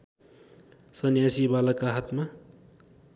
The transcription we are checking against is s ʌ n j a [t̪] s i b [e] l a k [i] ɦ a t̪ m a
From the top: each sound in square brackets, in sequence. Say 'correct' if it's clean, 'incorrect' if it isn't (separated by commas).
incorrect, incorrect, incorrect